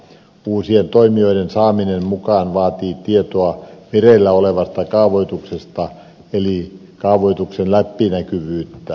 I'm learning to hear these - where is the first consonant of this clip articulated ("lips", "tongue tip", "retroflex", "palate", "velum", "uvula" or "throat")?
tongue tip